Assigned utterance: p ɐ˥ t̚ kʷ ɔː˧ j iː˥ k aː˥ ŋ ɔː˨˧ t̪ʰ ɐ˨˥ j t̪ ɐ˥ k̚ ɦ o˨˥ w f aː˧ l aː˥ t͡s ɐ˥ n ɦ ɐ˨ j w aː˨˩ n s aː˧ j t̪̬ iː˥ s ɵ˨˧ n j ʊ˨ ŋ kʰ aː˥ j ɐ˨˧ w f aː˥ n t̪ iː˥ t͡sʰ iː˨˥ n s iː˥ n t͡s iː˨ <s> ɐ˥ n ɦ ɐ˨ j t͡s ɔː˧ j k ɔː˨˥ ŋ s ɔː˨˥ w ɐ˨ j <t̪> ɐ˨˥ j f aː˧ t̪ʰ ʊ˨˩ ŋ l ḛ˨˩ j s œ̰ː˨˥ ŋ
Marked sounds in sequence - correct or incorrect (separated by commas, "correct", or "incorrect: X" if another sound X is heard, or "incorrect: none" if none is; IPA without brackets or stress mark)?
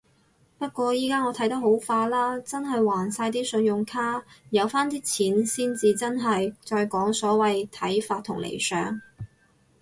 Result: incorrect: t͡s, incorrect: t̪ʰ